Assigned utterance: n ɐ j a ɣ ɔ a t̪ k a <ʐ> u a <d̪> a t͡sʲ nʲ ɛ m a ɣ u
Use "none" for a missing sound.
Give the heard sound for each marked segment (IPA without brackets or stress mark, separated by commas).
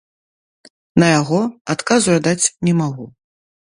z, d̪